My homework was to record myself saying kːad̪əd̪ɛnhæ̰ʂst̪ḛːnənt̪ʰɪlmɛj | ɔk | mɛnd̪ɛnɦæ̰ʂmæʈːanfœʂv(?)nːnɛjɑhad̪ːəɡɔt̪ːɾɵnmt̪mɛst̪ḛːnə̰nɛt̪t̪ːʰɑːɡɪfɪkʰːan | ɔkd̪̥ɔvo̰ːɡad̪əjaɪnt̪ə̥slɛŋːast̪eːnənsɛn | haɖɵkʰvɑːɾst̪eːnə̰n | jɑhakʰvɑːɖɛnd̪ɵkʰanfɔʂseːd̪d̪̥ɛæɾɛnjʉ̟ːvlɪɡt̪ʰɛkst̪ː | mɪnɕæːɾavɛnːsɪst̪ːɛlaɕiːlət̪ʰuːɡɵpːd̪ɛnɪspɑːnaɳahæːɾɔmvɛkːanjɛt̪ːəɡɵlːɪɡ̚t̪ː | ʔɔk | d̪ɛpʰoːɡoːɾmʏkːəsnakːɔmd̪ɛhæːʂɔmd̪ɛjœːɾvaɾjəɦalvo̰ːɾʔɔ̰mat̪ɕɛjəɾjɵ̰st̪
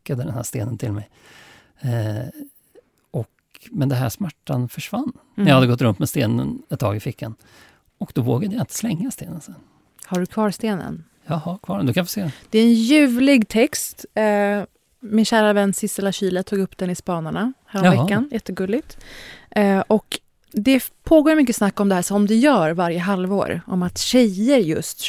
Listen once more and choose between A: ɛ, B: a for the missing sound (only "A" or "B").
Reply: B